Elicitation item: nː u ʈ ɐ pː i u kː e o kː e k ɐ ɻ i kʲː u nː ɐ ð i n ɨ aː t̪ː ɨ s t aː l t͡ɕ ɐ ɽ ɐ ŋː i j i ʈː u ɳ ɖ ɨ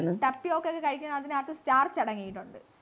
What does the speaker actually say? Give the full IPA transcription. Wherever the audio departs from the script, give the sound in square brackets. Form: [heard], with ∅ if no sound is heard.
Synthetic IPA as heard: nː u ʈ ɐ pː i [o] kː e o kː e k ɐ ɻ i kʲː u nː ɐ ð i n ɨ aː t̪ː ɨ s t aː [r] t͡ɕ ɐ ɽ ɐ ŋː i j i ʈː u ɳ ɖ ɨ